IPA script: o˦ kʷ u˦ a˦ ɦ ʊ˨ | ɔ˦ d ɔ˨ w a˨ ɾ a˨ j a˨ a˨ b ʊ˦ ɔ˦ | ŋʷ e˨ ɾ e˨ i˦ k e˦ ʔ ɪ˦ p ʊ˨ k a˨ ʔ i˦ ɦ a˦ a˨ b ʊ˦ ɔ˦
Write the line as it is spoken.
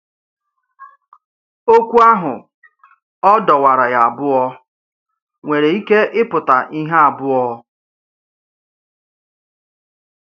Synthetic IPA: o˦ kʷ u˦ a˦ ɦ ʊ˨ | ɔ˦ d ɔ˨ w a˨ ɾ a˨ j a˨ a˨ b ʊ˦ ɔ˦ | ŋʷ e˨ ɾ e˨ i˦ k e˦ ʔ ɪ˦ p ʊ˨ t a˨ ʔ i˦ ɦ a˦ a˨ b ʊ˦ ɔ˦